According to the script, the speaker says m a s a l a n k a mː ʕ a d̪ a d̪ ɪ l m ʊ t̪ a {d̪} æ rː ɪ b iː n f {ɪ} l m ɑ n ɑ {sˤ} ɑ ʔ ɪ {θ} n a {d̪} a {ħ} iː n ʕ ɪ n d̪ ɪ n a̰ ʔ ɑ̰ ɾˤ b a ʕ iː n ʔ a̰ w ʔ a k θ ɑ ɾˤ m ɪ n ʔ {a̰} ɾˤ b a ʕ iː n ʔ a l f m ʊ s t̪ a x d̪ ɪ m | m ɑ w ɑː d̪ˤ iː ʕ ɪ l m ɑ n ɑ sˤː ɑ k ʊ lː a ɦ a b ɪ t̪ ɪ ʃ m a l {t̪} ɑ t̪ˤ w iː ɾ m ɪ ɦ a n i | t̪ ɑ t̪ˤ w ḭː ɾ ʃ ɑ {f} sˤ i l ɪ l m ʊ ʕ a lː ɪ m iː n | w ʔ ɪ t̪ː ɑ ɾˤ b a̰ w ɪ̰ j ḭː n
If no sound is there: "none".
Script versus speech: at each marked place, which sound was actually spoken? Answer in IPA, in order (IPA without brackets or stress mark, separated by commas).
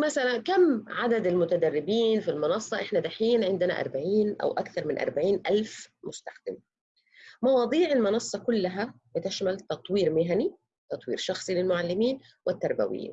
d̪, i, sˤː, ħ, d̪, ħ, ɑ̰, t̪, x